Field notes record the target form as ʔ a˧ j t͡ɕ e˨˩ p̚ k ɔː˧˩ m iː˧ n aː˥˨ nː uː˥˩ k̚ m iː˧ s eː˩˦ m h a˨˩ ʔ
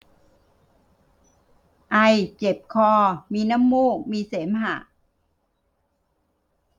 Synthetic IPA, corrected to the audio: ʔ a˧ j t͡ɕ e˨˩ p̚ kʰ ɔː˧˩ m iː˧ n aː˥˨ mː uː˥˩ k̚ m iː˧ s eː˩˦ m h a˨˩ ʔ